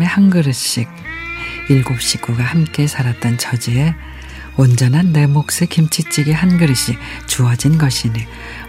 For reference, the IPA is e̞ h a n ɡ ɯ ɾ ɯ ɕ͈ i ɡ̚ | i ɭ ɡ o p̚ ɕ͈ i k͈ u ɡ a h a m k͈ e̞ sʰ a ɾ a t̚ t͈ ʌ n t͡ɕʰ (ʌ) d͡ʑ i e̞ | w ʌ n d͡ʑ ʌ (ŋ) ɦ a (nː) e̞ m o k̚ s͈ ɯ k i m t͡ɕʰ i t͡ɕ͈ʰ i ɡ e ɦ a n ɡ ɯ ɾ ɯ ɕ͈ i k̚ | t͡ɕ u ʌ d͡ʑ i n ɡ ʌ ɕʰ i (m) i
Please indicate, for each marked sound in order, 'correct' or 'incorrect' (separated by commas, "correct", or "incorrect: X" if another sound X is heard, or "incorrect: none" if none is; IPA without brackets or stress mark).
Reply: correct, incorrect: n, correct, incorrect: n